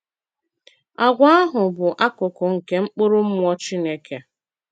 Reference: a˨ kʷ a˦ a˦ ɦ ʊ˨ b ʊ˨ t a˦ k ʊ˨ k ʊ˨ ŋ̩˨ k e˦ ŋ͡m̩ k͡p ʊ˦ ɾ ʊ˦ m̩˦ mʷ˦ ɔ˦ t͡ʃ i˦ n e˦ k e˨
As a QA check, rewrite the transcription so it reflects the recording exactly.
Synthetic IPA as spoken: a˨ ɡʷ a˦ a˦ ɦ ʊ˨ b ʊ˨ ʔ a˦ k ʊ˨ k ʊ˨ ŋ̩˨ k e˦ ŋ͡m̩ k͡p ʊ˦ ɾ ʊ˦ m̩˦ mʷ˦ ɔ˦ t͡ʃ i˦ n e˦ k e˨